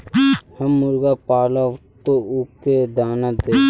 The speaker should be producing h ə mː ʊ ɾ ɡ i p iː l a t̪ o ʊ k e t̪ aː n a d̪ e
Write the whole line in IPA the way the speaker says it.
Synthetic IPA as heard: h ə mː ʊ ɾ ɡ a p aː l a t̪ o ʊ k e d̪ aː n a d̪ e